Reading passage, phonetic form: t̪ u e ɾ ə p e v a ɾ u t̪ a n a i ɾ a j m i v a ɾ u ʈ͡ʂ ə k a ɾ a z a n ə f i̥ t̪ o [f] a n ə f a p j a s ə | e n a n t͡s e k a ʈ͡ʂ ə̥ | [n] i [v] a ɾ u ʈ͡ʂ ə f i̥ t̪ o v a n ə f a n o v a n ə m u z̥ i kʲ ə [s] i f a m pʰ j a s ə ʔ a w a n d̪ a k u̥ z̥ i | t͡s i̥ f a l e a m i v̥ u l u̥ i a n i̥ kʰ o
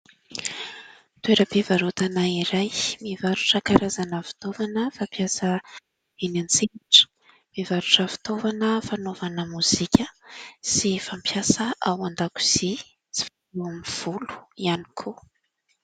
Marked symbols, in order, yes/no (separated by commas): no, no, yes, yes